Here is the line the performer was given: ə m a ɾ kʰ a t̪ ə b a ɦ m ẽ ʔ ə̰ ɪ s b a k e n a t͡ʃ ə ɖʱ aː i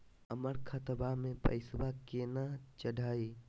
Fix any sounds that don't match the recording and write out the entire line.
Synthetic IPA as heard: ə m ə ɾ kʰ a t̪ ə b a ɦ m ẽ p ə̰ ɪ s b a k e n a t͡ʃ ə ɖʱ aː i